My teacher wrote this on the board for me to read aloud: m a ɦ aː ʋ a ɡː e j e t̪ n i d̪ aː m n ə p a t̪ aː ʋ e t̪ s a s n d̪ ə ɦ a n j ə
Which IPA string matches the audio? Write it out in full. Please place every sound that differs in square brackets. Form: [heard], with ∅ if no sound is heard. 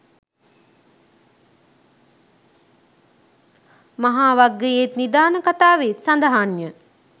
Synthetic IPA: m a ɦ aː ʋ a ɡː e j e t̪ n i d̪ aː [∅] n ə [k] a t̪ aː ʋ e t̪ s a [∅] n d̪ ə ɦ a n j ə